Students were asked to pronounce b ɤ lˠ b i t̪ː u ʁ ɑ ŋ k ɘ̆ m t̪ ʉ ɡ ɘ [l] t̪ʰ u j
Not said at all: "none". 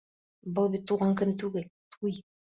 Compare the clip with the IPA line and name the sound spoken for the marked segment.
l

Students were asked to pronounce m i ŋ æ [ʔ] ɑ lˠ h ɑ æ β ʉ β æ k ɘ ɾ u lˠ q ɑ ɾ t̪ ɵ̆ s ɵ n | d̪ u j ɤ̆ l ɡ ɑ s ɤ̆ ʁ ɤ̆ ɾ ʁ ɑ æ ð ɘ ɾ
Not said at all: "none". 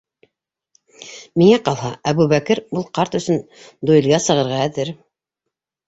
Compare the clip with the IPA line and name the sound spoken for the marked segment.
q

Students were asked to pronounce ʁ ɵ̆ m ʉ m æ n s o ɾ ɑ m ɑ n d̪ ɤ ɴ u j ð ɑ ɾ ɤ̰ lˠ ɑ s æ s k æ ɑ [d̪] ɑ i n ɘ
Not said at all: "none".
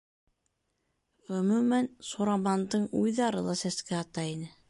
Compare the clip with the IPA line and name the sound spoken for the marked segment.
t̪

